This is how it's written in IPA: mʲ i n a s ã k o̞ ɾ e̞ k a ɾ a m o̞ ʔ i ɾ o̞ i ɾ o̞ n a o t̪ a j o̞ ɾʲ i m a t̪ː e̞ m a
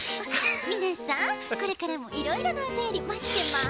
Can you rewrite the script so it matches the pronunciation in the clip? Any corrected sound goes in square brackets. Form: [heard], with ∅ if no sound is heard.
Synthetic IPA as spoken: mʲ i n a s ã k o̞ ɾ e̞ k a ɾ a m o̞ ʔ i ɾ o̞ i ɾ o̞ n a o t̪ a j o̞ ɾʲ i m a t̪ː e̞ m a